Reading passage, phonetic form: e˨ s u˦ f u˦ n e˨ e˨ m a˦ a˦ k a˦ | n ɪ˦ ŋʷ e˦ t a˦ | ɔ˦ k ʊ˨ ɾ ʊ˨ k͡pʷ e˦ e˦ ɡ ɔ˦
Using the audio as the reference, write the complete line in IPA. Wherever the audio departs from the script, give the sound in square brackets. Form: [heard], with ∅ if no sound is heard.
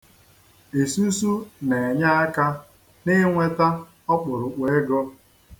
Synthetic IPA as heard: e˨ s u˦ [s] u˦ n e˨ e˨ [ɲ] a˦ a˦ k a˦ | n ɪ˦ ŋʷ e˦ t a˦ | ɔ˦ [k͡p] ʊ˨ ɾ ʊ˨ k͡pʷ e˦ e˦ ɡ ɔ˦